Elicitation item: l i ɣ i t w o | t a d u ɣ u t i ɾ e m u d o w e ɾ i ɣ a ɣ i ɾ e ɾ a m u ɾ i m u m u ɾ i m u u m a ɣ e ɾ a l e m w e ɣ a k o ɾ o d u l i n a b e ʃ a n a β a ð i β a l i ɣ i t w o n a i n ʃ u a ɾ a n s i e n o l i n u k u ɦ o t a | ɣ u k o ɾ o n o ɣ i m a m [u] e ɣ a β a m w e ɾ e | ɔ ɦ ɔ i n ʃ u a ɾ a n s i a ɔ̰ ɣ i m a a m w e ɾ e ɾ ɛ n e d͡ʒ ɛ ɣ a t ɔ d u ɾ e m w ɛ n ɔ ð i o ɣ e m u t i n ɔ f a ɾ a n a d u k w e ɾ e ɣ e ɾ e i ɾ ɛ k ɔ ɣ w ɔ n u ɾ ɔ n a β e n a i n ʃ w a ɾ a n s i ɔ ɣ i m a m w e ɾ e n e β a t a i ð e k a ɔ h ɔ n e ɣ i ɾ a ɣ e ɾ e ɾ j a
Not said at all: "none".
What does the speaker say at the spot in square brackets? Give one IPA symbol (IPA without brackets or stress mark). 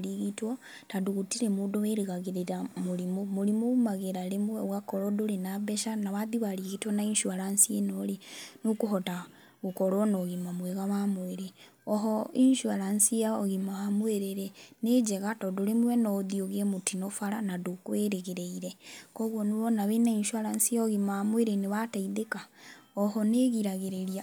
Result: w